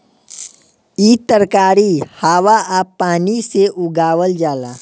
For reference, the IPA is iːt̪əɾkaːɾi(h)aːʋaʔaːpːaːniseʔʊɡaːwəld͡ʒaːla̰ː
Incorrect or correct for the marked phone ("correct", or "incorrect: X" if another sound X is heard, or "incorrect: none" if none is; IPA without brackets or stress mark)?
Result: correct